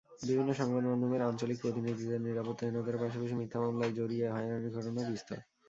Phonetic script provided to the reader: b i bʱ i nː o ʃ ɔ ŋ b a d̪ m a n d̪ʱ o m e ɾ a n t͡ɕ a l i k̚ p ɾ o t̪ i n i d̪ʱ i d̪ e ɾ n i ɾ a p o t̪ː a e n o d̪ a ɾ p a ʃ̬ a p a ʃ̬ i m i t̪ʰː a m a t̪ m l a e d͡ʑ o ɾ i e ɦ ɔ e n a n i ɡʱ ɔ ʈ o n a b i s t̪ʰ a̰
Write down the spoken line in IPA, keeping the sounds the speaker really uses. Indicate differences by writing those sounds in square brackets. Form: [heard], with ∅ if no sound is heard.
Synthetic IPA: b i bʱ i nː o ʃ ɔ ŋ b a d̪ m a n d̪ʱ o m e ɾ a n t͡ɕ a l i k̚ p ɾ o t̪ i n i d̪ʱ i d̪ e ɾ n i ɾ a p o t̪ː a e n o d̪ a ɾ p a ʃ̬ a p a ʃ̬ i m i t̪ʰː a m a [∅] m l a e d͡ʑ o ɾ i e ɦ ɔ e n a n i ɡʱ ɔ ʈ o n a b i s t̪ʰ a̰

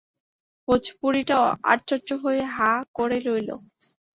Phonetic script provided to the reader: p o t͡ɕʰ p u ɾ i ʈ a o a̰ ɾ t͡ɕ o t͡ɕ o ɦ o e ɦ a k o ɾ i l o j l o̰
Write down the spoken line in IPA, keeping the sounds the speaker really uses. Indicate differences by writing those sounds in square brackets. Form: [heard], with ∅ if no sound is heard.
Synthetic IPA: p o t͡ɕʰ p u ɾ i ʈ a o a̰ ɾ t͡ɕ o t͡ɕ o ɦ o e ɦ a k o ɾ [e] l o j l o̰

